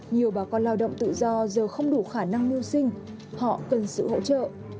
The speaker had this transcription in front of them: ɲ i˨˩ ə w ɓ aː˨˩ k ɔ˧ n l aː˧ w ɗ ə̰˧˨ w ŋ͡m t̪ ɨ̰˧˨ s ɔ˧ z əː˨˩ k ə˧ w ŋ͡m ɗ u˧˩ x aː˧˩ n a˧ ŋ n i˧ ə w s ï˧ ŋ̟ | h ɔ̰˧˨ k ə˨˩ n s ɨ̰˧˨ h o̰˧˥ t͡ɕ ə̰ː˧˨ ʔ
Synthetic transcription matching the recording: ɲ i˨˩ ə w ɓ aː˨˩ k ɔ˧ n l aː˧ w ɗ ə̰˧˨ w ŋ͡m t̪ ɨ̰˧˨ z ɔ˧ z əː˨˩ x ə˧ w ŋ͡m ɗ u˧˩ x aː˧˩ n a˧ ŋ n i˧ ə w s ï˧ ŋ̟ | h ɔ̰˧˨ k ə˨˩ n s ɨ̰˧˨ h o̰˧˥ t͡ɕ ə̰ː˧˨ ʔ